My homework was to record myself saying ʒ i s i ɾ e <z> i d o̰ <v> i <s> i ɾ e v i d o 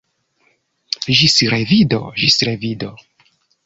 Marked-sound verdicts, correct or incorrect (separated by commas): incorrect, incorrect, correct